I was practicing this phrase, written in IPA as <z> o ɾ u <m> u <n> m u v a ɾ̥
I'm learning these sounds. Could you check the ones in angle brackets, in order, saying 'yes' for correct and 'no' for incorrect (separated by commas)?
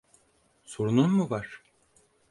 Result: no, no, yes